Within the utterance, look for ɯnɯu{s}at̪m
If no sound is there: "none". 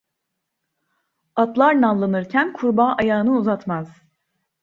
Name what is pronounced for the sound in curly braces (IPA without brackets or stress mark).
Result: z